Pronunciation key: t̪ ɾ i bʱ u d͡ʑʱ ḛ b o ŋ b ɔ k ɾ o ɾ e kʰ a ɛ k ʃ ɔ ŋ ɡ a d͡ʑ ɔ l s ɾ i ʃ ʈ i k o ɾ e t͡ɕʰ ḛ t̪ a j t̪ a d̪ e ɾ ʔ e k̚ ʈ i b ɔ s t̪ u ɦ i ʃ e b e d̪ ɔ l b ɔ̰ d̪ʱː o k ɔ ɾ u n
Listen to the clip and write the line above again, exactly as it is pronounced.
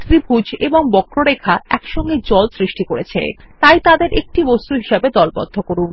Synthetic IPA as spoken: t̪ ɾ i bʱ u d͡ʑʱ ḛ b o ŋ b ɔ k ɾ o ɾ e kʰ a ɛ k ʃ ɔ ŋ ɡ e d͡ʑ ɔ l s ɾ i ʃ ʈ i k o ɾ e t͡ɕʰ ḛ t̪ a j t̪ a d̪ e ɾ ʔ e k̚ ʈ i b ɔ s t̪ u ɦ i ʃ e b e d̪ ɔ l b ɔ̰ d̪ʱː o k o ɾ u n